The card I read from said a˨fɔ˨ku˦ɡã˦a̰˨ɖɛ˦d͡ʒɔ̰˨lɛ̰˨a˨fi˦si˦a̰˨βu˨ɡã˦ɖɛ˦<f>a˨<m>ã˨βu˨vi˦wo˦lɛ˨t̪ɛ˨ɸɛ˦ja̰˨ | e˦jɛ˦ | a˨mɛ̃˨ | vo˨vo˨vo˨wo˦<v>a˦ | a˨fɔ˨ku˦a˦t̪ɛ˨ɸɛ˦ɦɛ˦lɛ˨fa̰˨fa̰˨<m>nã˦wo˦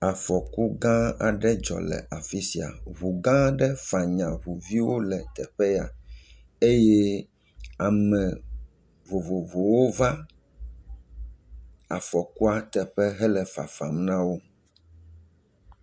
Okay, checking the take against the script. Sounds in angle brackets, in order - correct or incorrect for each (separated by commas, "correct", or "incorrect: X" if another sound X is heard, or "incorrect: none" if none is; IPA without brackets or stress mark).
correct, incorrect: ɲ, correct, correct